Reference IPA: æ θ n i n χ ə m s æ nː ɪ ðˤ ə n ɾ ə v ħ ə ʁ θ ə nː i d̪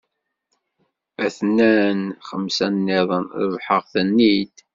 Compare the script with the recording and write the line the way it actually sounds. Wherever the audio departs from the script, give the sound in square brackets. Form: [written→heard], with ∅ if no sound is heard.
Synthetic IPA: æ θ n [i→æ] n χ ə m s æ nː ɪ ðˤ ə n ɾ ə v ħ ə ʁ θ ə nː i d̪